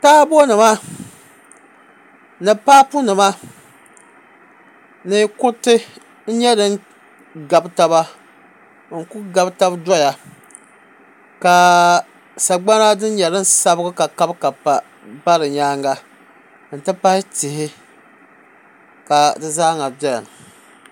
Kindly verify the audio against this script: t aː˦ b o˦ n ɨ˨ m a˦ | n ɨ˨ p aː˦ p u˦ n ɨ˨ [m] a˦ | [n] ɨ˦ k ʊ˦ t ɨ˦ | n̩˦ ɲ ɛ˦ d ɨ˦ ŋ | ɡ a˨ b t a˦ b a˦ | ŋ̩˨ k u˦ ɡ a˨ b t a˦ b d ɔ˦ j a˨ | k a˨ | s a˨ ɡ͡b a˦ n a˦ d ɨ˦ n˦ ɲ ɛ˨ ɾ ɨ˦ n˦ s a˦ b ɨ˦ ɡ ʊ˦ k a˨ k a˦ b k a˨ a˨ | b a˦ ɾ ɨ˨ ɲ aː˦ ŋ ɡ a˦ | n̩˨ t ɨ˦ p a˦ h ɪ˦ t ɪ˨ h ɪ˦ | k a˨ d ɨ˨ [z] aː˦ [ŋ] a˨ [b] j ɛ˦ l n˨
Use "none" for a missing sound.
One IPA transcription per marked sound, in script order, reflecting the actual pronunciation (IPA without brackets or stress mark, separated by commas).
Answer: m, n, z, ŋ, b